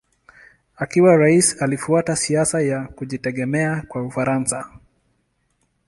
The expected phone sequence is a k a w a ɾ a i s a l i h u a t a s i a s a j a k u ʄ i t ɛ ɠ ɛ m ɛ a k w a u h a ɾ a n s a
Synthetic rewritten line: a k i w a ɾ a i s a l i f u a t a s i a s a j a k u ʄ i t ɛ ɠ ɛ m ɛ a k w a u f a ɾ a n s a